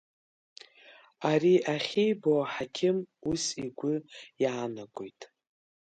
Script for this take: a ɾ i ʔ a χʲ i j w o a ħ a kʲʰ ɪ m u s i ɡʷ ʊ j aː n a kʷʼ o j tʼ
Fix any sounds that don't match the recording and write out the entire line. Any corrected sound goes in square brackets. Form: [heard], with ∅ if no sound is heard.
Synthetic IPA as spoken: a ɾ i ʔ a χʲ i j [b] o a ħ a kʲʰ ɪ m u s i ɡʷ ʊ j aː n a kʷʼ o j tʼ